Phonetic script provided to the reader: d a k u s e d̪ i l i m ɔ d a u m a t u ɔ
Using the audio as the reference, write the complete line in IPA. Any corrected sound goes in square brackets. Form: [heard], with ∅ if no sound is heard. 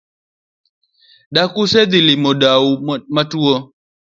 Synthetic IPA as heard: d a k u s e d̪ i l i m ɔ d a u m a t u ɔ